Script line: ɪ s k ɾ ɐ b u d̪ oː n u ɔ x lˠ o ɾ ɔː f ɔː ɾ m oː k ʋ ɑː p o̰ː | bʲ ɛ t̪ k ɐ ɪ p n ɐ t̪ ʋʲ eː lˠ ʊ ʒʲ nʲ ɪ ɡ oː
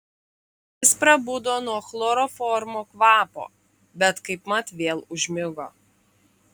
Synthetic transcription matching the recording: ɪ s p ɾ ɐ b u d̪ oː n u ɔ x lˠ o ɾ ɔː f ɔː ɾ m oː k ʋ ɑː p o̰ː | bʲ ɛ t̪ k ɐ ɪ p m ɐ t̪ ʋʲ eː lˠ ʊ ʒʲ mʲ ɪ ɡ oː